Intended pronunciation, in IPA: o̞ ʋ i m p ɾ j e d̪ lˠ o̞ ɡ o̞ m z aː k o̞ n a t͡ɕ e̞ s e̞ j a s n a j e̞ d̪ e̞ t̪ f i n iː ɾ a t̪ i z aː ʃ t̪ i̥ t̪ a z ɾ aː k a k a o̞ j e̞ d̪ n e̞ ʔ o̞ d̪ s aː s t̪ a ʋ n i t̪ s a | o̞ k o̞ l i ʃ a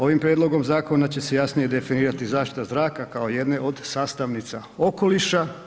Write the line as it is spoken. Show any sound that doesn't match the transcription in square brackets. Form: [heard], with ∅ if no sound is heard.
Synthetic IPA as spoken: o̞ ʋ i m p ɾ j e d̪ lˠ o̞ ɡ o̞ m z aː k o̞ n a t͡ɕ e̞ s e̞ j a s n [i] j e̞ d̪ e̞ [∅] f i n iː ɾ a t̪ i z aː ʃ t̪ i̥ t̪ a z ɾ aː k a k a o̞ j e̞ d̪ n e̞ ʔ o̞ d̪ s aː s t̪ a ʋ n i t̪ s a | o̞ k o̞ l i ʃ a